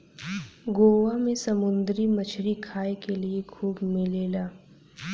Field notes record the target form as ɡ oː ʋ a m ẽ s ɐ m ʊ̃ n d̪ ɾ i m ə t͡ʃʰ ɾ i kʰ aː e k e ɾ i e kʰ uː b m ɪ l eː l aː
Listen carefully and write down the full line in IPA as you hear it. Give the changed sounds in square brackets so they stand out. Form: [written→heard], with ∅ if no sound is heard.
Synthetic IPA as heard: ɡ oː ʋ a m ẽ s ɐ m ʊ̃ n d̪ ɾ i m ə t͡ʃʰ ɾ i kʰ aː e k e [ɾ→l] i e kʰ uː b m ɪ l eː l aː